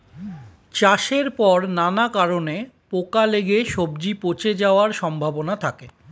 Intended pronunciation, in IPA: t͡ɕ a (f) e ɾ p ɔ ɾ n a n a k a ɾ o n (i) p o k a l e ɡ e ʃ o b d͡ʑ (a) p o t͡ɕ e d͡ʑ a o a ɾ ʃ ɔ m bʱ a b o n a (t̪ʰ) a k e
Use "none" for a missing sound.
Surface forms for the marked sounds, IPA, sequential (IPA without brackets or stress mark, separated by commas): ʃ, e, i, t̪ʰ